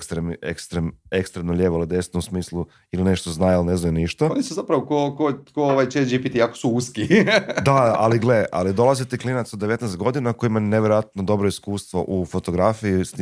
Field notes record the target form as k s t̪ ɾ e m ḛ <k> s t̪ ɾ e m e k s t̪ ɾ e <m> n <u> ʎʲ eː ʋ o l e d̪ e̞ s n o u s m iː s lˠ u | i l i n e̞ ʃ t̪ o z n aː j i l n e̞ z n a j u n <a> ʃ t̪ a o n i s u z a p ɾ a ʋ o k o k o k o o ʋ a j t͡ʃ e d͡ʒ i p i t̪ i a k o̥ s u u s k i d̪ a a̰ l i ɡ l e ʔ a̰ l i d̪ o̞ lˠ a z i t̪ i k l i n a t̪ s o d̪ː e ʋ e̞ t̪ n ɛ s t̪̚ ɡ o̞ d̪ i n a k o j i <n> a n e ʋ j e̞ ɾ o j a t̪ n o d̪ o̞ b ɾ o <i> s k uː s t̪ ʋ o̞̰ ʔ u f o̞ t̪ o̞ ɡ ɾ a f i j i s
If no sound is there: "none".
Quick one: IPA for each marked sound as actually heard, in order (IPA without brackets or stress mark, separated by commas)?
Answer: k, m, o, i, m, i